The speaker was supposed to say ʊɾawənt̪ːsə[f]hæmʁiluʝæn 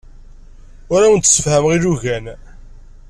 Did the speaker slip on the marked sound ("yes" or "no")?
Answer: no